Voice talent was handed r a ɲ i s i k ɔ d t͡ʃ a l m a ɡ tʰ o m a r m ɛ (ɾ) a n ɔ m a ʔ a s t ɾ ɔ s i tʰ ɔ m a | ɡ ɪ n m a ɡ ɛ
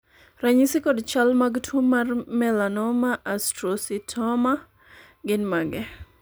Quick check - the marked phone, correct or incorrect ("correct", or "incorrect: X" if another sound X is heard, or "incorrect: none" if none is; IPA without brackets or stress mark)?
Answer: incorrect: l